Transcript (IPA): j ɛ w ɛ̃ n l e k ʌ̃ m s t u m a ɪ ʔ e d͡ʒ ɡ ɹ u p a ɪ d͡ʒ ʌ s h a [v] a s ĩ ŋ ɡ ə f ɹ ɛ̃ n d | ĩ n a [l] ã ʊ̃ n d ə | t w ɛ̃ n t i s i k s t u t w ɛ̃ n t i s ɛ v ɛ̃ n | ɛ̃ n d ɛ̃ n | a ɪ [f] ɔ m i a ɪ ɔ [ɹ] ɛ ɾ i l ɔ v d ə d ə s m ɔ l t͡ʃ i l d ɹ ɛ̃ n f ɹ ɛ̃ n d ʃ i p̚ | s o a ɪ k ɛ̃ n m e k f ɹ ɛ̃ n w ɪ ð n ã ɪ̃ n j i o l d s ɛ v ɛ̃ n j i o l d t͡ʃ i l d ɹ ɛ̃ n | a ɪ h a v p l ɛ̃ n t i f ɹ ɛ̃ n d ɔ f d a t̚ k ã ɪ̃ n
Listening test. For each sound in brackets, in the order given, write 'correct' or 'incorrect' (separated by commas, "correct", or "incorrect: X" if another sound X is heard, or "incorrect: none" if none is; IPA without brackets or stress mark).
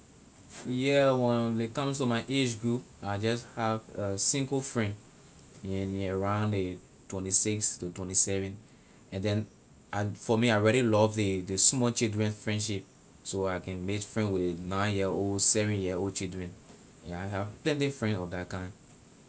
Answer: correct, incorrect: ɹ, correct, correct